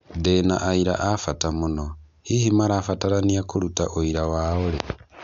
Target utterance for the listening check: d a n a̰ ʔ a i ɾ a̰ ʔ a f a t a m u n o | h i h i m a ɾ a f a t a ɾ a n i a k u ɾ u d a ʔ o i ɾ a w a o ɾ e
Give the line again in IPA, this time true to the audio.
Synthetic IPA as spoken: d e n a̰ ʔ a i ɾ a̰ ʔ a f a t a m u n o | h i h i m a ɾ a f a t a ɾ a n i a k u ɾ u t a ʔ o i ɾ a w a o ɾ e